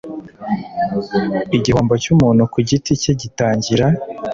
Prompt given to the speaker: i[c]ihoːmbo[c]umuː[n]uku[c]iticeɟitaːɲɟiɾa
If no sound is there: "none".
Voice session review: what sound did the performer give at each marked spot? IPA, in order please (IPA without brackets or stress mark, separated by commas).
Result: ɟ, c, n, ɟ